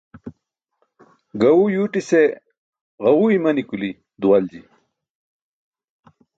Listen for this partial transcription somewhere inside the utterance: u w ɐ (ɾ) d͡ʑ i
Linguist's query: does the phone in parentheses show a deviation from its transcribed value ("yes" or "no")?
yes